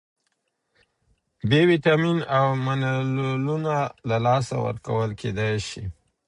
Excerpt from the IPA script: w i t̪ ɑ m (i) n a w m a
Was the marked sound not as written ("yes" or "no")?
no